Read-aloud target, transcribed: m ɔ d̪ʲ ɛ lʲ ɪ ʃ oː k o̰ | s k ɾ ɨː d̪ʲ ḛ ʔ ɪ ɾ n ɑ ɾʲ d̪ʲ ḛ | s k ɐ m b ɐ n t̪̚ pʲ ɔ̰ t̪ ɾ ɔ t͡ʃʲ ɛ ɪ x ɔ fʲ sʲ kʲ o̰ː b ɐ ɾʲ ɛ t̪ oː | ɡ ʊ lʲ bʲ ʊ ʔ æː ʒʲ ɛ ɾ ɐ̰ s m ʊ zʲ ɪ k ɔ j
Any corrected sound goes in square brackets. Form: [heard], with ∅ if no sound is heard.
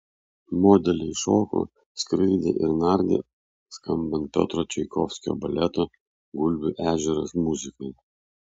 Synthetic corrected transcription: m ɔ d̪ʲ ɛ lʲ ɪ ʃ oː k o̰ | s k ɾ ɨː d̪ʲ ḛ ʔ ɪ ɾ n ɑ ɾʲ d̪ʲ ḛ | s k ɐ m b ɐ n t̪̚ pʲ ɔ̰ t̪ ɾ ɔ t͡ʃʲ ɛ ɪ [k] ɔ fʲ sʲ kʲ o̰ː b ɐ [lʲ] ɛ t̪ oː | ɡ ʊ lʲ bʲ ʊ ʔ æː ʒʲ ɛ ɾ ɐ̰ s m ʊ zʲ ɪ k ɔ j

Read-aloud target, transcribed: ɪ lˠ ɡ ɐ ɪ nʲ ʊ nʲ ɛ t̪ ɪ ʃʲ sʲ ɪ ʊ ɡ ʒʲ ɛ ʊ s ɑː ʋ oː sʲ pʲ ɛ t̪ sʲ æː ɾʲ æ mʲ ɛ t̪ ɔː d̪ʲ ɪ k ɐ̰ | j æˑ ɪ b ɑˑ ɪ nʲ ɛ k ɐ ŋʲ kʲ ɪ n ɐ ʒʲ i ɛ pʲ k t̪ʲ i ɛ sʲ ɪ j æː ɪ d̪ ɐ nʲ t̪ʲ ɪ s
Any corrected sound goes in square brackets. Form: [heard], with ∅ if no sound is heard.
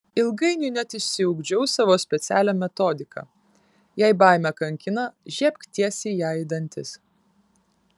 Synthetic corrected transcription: ɪ lˠ ɡ ɐ ɪ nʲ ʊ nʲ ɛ t̪ ɪ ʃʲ sʲ ɪ ʊ ɡ [d͡ʒʲ] ɛ ʊ s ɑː ʋ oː sʲ pʲ ɛ t̪ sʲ æː [lʲ] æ mʲ ɛ t̪ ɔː d̪ʲ ɪ k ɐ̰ | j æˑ ɪ b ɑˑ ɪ [mʲ] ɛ k ɐ ŋʲ kʲ ɪ n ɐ ʒʲ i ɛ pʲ k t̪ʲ i ɛ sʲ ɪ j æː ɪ d̪ ɐ nʲ t̪ʲ ɪ s

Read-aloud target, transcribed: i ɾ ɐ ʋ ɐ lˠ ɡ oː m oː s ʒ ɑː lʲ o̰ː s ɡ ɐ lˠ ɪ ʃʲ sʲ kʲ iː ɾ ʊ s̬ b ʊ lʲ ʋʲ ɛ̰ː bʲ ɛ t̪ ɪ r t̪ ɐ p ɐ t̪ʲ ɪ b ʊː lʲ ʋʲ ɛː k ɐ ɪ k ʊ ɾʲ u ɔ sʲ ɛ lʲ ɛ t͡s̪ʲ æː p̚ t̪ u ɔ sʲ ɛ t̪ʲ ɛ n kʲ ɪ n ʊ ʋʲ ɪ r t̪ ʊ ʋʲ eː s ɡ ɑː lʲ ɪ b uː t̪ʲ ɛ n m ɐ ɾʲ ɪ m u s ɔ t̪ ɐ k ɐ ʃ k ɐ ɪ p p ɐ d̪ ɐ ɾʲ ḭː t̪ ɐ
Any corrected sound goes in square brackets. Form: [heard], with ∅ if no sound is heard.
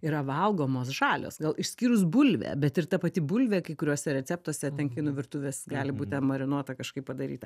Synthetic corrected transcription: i ɾ ɐ ʋ ɐ lˠ ɡ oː m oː s ʒ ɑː lʲ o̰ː s ɡ ɐ lˠ ɪ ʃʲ sʲ kʲ iː ɾ ʊ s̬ b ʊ lʲ ʋʲ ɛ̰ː bʲ ɛ t̪ ɪ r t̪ ɐ p ɐ t̪ʲ ɪ b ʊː lʲ ʋʲ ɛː k ɐ ɪ k ʊ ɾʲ u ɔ sʲ ɛ [ɾʲ] ɛ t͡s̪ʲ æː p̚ t̪ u ɔ sʲ ɛ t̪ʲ ɛ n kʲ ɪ n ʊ ʋʲ ɪ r t̪ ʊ ʋʲ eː s ɡ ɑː lʲ ɪ b uː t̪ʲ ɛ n m ɐ ɾʲ ɪ [n] u [∅] ɔ t̪ ɐ k ɐ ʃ k ɐ ɪ p p ɐ d̪ ɐ ɾʲ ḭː t̪ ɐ

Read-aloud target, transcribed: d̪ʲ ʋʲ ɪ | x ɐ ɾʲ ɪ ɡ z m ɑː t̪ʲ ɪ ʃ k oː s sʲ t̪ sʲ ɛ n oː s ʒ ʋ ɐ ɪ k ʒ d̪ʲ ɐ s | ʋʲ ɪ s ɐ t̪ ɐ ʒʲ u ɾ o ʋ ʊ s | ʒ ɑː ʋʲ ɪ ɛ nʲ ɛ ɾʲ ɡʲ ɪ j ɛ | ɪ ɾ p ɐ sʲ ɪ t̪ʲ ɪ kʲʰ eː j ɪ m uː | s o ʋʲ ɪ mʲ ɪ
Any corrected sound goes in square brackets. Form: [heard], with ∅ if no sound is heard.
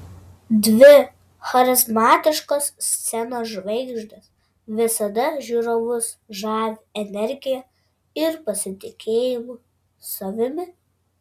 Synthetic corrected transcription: d̪ʲ ʋʲ ɪ | x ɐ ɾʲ ɪ [∅] z m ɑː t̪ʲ ɪ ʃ k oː s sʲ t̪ sʲ ɛ n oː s ʒ ʋ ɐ ɪ [ɡ] ʒ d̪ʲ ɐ s | ʋʲ ɪ s ɐ [d̪] ɐ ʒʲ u ɾ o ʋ ʊ s | ʒ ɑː ʋʲ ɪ ɛ nʲ ɛ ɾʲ ɡʲ ɪ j ɛ | ɪ ɾ p ɐ sʲ ɪ t̪ʲ ɪ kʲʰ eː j ɪ m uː | s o ʋʲ ɪ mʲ ɪ

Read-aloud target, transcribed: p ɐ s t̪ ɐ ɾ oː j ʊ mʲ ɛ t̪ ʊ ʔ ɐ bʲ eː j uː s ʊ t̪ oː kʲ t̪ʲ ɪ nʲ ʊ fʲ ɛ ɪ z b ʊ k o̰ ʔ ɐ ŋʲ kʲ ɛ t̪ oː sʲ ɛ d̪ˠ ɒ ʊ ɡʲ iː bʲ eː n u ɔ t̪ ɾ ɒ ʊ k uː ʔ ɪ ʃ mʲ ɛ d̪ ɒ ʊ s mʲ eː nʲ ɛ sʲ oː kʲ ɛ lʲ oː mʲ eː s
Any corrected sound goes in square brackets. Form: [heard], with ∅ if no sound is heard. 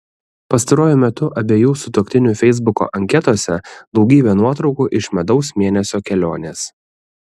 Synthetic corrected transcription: p ɐ s t̪ ɐ ɾ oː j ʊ mʲ ɛ t̪ ʊ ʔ ɐ bʲ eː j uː s ʊ t̪ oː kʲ t̪ʲ ɪ nʲ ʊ fʲ ɛ ɪ z b ʊ k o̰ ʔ ɐ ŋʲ kʲ ɛ t̪ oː sʲ ɛ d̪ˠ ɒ ʊ ɡʲ iː bʲ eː n u ɔ t̪ ɾ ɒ ʊ k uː ʔ ɪ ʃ mʲ ɛ d̪ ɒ ʊ s mʲ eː nʲ ɛ sʲ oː kʲ ɛ lʲ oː [nʲ] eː s

